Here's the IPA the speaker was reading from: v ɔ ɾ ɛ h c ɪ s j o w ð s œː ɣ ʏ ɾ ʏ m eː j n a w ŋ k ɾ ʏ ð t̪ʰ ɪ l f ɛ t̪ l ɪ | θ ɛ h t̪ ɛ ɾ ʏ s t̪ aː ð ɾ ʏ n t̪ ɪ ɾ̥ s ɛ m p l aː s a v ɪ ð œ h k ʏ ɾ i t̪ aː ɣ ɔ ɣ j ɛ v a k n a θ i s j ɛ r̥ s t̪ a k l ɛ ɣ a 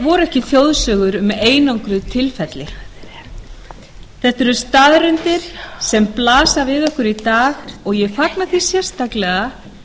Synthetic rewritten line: v ɔ ɾ ɛ h c ɪ θ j o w ð s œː ɣ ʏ ɾ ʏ m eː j n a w ŋ k ɾ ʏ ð t̪ʰ ɪ l f ɛ t̪ l ɪ | θ ɛ h t̪ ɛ ɾ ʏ s t̪ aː ð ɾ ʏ n t̪ ɪ ɾ̥ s ɛ m p l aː s a v ɪ ð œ h k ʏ ɾ i t̪ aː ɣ ɔ ɣ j ɛ f a k n a θ i s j ɛ r̥ s t̪ a k l ɛ ɣ a